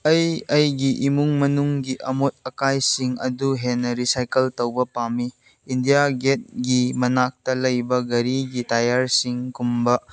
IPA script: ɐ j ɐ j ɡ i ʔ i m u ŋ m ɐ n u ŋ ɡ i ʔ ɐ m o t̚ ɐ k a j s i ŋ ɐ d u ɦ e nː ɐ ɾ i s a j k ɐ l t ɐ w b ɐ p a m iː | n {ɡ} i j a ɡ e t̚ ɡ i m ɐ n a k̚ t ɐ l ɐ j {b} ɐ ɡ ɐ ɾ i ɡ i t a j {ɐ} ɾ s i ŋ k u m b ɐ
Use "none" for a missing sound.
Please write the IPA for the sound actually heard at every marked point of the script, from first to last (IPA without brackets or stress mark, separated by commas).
d, b, a